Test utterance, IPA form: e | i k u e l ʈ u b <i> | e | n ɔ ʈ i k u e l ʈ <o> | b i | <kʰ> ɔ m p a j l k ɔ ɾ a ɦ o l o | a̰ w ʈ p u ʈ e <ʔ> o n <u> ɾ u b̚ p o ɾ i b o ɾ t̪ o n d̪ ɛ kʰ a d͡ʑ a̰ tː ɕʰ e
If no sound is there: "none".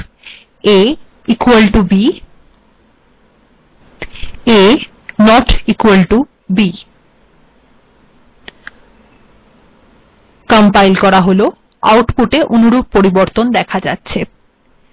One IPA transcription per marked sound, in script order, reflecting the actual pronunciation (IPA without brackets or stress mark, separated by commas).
i, u, k, ʔ, u